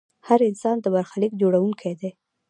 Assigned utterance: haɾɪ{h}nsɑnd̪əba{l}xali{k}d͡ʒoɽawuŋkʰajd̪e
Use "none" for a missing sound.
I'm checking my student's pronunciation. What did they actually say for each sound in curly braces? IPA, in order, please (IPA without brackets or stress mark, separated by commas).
none, ɾ, k